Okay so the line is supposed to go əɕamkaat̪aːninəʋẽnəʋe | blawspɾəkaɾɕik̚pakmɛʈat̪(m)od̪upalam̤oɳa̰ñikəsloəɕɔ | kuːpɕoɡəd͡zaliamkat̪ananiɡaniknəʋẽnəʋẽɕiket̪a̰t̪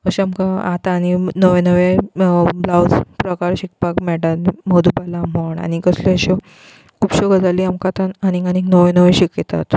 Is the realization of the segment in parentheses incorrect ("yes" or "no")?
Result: no